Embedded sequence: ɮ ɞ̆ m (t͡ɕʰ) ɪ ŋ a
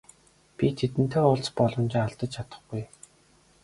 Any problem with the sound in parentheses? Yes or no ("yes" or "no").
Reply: yes